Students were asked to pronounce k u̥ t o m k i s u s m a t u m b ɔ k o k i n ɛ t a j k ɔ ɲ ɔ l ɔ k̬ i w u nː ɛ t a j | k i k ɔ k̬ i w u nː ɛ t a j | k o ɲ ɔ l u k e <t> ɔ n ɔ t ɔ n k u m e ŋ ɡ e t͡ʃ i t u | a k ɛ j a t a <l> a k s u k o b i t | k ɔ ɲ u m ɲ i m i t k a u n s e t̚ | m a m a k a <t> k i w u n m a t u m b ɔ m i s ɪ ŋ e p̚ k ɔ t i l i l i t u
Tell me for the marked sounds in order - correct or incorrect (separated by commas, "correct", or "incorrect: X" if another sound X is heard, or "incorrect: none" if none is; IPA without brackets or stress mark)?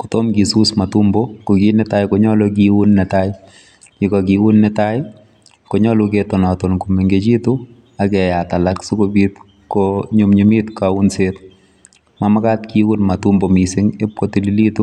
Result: correct, correct, correct